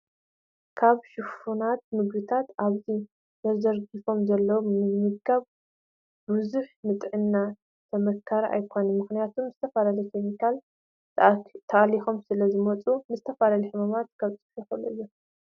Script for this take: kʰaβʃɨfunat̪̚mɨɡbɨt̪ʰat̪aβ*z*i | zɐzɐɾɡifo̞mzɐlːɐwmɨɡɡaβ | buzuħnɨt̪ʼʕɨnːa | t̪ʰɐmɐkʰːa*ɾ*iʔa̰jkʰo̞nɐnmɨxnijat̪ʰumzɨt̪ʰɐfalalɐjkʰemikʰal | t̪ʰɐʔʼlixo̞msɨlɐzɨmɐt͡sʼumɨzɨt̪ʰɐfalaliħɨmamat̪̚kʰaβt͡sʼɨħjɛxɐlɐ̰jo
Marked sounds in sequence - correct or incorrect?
correct, correct

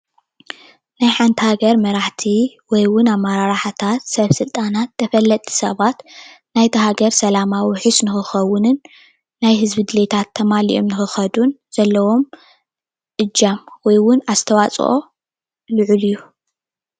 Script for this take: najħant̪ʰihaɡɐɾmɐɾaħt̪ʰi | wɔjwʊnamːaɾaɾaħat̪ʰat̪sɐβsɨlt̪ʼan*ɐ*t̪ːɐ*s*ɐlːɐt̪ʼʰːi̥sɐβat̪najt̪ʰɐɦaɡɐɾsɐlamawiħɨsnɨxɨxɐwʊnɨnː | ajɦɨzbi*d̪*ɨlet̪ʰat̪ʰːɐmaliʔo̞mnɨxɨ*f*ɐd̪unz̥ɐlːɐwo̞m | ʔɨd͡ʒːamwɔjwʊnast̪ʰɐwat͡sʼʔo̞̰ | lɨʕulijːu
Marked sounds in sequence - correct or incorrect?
incorrect: a, incorrect: f, correct, incorrect: x

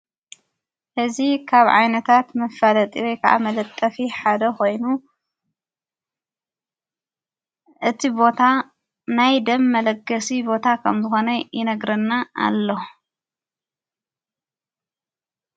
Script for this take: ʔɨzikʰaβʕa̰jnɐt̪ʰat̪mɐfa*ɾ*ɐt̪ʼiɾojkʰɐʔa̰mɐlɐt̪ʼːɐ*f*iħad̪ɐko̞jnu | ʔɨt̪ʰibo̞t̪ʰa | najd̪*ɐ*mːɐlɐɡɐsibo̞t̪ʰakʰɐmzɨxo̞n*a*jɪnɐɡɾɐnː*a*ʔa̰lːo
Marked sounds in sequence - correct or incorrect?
incorrect: l, correct, correct, incorrect: ɐ, correct

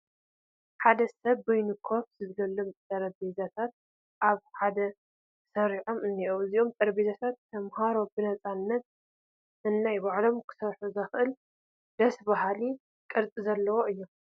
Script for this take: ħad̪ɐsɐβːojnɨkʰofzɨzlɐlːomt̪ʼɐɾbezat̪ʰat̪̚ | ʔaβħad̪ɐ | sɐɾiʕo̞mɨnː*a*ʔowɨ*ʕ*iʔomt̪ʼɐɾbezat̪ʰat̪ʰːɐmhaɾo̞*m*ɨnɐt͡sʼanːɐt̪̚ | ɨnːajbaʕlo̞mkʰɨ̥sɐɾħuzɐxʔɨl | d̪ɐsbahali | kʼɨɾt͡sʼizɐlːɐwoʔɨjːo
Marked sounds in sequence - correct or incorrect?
incorrect: i, incorrect: z, incorrect: b

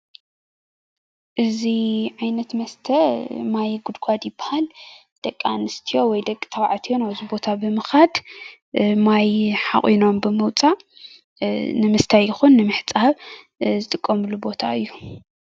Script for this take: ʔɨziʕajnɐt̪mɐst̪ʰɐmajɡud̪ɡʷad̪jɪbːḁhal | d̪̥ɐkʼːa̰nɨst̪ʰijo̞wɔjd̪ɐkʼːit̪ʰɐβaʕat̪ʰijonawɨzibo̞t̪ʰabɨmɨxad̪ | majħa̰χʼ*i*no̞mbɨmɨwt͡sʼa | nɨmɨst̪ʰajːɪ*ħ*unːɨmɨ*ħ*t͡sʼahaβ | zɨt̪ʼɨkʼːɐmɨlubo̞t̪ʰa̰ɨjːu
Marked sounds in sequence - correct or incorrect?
correct, incorrect: x, correct

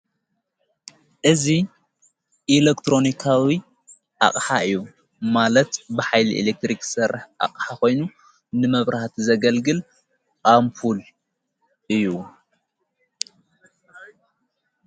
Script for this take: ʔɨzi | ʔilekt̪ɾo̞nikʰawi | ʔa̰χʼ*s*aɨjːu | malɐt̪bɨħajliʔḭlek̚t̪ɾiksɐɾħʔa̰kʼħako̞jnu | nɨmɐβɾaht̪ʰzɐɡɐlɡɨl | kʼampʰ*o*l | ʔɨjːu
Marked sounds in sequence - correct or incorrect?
incorrect: ħ, incorrect: u

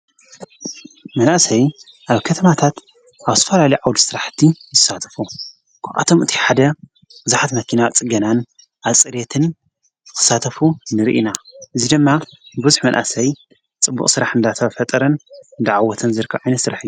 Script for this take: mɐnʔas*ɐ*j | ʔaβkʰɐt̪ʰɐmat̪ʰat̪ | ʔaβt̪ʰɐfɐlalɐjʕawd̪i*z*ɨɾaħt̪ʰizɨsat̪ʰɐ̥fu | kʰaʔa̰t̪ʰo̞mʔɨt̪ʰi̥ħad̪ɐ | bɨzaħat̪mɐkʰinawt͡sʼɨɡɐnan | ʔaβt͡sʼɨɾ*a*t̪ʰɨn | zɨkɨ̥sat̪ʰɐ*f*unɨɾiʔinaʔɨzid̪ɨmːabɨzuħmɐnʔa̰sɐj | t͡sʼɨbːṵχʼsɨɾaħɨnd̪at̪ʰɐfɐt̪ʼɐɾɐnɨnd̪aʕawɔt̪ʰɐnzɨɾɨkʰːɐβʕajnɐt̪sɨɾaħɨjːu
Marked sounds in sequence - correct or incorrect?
correct, incorrect: s, incorrect: e, correct

